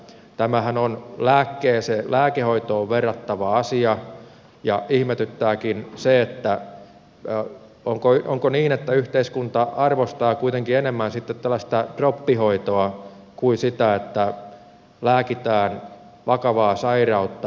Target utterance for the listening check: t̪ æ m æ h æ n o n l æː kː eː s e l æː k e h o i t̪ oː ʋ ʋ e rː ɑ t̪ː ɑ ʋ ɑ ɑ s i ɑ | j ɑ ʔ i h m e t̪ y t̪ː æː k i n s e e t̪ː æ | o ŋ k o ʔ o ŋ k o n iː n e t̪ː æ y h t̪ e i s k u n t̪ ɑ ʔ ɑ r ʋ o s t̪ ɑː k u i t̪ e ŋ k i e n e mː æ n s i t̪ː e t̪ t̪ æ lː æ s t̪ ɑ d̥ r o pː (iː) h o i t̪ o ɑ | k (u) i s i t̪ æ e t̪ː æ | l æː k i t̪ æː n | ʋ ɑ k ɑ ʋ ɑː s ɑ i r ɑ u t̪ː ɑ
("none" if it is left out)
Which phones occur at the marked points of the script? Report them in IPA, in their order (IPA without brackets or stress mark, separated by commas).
i, u